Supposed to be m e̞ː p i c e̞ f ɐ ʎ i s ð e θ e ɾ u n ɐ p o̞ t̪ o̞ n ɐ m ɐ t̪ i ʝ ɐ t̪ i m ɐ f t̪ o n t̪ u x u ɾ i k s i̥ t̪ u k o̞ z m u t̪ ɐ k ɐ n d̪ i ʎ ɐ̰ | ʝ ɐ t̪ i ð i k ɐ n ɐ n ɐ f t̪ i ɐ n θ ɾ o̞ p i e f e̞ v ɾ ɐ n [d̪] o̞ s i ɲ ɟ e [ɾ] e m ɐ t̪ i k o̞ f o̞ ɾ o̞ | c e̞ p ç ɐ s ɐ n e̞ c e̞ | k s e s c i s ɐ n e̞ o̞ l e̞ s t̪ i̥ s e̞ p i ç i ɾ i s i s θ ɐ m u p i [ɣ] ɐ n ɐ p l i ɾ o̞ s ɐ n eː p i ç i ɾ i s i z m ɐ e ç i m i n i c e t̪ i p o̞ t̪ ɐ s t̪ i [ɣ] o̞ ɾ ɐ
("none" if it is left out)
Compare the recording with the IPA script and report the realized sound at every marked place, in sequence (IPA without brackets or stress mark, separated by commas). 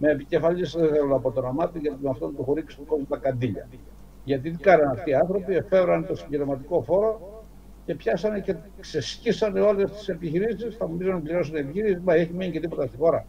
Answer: t̪, ɾ, z, x